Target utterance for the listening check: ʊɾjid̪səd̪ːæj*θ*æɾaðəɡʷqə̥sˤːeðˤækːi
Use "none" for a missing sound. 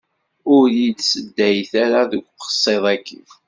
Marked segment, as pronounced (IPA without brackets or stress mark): θ